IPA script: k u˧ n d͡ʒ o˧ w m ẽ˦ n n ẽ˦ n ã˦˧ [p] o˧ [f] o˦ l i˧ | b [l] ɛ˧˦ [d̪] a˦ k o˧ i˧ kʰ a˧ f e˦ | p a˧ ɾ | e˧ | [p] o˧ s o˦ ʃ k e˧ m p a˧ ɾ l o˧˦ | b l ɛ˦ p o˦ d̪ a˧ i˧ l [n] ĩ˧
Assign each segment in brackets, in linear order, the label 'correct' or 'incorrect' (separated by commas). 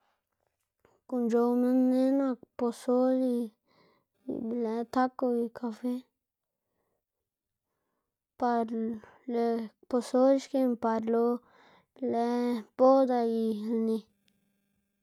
correct, incorrect, correct, incorrect, correct, correct